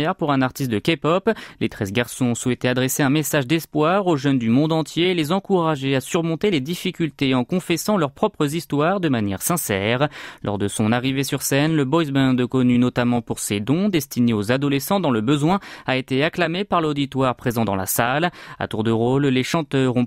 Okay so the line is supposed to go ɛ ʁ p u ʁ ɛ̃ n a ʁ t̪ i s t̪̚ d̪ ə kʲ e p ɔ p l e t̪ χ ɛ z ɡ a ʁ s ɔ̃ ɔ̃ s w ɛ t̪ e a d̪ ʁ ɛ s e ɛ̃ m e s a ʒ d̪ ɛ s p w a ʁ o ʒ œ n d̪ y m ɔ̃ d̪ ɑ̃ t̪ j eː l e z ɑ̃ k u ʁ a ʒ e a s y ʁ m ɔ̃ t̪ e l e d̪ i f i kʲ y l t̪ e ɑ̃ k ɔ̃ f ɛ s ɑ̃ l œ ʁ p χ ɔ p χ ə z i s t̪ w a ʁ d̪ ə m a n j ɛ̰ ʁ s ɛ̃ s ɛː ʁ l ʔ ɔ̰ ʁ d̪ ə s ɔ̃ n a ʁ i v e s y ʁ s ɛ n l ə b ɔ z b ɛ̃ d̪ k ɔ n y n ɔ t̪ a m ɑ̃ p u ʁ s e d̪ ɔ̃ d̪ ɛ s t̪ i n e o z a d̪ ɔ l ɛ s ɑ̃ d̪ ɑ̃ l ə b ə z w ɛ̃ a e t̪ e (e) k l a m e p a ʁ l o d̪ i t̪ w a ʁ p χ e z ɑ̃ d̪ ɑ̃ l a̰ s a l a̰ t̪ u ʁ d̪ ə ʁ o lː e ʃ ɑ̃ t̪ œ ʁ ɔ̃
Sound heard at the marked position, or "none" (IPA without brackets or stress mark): a